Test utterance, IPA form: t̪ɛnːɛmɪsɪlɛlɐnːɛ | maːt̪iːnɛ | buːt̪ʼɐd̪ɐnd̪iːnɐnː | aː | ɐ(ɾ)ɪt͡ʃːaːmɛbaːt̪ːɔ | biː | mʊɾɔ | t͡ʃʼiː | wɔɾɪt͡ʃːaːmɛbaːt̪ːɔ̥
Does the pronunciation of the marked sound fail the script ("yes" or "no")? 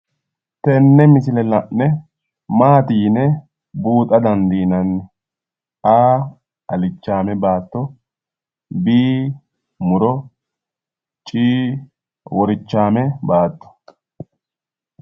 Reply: yes